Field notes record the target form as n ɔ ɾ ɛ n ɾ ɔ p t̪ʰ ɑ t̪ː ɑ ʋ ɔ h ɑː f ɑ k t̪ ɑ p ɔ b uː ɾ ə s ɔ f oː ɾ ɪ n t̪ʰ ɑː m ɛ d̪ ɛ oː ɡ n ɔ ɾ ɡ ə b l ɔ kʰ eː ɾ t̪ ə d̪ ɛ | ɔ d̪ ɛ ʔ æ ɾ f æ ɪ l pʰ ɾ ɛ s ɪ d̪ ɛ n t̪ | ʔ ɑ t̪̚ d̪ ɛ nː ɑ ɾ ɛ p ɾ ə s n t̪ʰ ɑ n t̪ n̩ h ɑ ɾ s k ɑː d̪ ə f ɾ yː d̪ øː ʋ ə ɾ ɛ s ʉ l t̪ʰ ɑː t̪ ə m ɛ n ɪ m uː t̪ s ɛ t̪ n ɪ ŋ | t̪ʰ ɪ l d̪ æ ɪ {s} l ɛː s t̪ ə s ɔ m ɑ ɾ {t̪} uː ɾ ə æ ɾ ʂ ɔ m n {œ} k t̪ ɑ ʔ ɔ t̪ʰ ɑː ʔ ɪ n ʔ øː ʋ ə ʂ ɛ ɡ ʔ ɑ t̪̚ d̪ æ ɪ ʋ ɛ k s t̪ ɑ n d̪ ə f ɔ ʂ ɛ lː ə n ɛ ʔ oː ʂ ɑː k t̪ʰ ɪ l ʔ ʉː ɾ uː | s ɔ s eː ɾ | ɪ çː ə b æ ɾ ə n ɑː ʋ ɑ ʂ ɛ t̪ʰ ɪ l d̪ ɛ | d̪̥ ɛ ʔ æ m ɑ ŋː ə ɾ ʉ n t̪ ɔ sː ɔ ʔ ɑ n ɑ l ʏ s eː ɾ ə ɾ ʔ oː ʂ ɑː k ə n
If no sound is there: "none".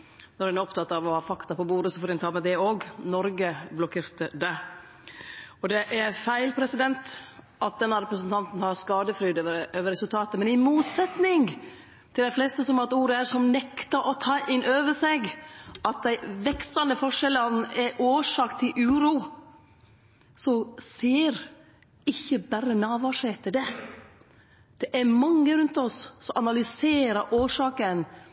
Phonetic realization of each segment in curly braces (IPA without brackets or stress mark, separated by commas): f, t̪, ɛ